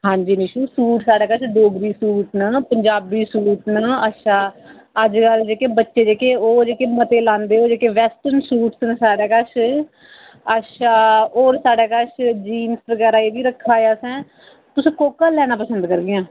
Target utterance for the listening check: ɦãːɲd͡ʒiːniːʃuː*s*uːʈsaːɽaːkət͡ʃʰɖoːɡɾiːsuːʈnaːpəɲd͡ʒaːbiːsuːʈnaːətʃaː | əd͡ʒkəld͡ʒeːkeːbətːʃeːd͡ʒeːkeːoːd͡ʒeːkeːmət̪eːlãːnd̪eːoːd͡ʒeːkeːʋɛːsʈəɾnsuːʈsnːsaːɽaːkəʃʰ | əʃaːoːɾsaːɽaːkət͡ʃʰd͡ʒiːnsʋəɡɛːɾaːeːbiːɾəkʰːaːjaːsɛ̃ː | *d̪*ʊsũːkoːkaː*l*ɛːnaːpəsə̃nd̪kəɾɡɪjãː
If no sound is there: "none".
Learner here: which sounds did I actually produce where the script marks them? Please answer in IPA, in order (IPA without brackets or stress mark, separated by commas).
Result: s, t̪, l